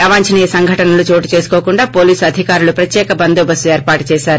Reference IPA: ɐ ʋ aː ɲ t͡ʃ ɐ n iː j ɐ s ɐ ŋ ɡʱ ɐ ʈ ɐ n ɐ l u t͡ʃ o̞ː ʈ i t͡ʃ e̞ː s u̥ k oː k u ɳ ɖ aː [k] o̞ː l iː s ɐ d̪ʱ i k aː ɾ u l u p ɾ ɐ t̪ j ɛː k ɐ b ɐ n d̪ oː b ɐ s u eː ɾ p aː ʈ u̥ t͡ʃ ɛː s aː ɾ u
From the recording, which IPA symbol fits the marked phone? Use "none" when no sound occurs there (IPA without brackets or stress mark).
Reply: p